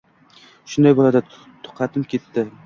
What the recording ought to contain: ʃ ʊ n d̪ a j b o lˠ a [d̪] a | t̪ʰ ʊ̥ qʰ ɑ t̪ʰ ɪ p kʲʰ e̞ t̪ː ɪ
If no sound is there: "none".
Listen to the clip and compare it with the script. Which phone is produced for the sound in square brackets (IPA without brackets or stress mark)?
d̪